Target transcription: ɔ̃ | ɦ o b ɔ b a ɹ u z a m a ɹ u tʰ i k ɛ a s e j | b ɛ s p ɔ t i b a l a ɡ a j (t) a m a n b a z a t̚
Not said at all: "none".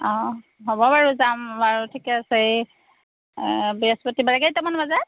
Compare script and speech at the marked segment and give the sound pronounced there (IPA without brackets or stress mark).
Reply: t